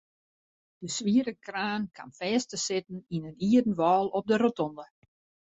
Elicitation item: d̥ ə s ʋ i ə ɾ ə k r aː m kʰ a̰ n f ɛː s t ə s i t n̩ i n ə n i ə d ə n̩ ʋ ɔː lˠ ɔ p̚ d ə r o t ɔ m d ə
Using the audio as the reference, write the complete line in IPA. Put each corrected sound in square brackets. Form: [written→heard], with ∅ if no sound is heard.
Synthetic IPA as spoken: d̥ ə s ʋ i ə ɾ ə k r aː [m→n] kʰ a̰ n f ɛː s t ə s [i→ɪ] t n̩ i n ə n i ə d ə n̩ ʋ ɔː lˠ ɔ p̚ d ə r o t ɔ [m→n] d ə

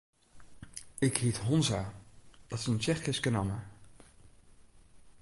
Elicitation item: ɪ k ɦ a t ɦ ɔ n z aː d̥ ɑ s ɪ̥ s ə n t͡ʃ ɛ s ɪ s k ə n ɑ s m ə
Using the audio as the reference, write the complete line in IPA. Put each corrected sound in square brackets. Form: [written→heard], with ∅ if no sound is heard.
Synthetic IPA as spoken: ɪ k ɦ [a→i] t ɦ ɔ n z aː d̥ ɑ [s→t] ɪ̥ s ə n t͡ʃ ɛ [s→χ] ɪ s k ə n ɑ [s→∅] m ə

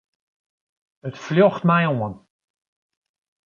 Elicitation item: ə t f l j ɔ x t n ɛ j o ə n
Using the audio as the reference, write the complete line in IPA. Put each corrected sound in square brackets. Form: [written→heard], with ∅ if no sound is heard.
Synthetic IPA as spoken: ə t f l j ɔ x t [n→m] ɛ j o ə n

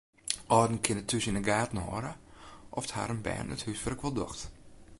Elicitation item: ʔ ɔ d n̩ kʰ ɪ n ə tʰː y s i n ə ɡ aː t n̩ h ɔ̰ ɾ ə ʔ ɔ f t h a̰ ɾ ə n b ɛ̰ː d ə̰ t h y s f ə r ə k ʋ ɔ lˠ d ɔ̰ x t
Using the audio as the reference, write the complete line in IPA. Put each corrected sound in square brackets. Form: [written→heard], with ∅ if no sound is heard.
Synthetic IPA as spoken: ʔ ɔ d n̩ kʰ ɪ n ə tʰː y s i n ə ɡ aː t n̩ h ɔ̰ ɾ ə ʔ ɔ f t h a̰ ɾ ə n b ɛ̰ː [d→n] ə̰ t h y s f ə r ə k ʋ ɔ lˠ d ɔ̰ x t

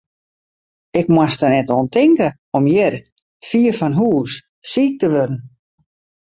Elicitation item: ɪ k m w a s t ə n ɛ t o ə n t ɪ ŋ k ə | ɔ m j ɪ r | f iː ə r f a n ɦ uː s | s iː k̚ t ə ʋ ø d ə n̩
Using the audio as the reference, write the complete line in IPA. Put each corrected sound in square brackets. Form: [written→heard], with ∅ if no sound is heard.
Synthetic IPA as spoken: ɪ k m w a s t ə n ɛ t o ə n t ɪ ŋ k ə | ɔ m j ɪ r | f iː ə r f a n ɦ uː s | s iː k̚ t ə ʋ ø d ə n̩

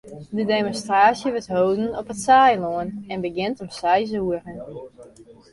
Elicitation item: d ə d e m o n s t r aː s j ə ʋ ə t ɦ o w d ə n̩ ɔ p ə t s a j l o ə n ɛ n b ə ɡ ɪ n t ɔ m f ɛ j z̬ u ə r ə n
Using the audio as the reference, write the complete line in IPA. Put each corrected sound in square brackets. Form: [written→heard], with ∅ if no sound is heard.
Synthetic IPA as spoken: d ə d e m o n s t r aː s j ə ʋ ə t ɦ o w d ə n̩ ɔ p ə t s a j l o ə n ɛ n b ə ɡ ɪ n t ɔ m [f→s] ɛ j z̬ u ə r ə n

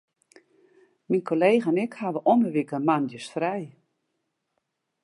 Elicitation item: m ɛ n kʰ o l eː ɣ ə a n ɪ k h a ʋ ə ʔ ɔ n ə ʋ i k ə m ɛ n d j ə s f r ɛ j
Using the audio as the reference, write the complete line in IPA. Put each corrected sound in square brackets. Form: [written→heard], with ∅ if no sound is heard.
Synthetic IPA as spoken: m [ɛ→i] n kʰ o l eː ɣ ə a n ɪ k h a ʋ ə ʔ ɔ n ə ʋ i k ə m [ɛ→a] n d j ə s f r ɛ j

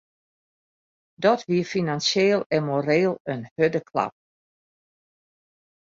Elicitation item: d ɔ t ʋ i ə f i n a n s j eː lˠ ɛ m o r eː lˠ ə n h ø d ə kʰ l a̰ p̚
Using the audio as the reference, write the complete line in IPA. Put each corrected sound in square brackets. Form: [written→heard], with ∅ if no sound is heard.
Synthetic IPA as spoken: d ɔ t ʋ i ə f i n a n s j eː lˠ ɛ m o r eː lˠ ə n h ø d ə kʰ l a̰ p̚

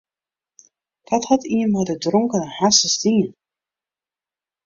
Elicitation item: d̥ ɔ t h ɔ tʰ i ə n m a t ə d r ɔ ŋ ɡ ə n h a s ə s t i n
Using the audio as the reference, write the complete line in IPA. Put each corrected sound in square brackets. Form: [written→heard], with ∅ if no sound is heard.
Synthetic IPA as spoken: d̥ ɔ t h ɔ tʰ i ə n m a [t→d] ə d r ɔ ŋ [ɡ→k] ə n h a s ə s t i n

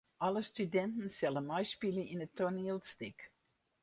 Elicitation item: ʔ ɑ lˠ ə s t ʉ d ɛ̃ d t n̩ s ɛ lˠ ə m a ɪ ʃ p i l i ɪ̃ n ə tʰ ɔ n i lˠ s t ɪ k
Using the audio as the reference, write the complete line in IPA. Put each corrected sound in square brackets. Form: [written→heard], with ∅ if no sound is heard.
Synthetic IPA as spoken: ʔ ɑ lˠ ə s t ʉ d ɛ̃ [d→n] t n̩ s ɛ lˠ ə m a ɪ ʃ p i l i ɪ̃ n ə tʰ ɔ n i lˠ s t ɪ k

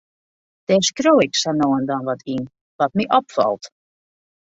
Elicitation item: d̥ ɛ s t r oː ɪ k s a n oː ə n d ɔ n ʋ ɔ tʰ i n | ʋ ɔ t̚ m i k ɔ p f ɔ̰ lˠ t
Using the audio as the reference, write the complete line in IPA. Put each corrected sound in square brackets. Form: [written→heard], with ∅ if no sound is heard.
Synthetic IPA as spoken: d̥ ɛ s [t→k] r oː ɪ k s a n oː ə n d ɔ n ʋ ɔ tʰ i n | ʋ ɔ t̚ m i [k→ʔ] ɔ p f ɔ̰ lˠ t

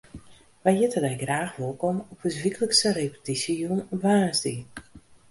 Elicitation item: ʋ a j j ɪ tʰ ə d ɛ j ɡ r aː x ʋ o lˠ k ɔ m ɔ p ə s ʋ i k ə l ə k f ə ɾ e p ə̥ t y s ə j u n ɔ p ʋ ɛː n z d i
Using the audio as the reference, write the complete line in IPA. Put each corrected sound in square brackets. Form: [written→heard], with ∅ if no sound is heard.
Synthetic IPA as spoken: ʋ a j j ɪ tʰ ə d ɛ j ɡ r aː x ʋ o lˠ k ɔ m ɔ p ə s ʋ i k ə l ə k [f→s] ə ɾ e p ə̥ t [y→i] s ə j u n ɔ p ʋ [ɛː→aː] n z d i

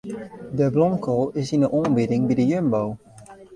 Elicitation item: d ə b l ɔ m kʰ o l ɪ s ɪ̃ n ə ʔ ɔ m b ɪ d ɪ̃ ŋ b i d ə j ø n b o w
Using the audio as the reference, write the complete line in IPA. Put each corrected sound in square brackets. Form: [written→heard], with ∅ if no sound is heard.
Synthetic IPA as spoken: d ə b l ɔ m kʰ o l ɪ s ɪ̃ n ə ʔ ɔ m b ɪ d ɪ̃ ŋ b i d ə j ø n b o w

